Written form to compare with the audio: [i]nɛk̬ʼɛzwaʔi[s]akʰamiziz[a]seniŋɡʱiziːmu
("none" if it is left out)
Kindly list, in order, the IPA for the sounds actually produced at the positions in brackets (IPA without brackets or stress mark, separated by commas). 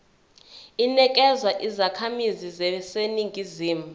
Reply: i, z, ɛ